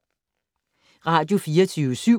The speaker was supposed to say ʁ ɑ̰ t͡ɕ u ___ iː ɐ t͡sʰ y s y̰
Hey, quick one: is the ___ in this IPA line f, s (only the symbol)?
f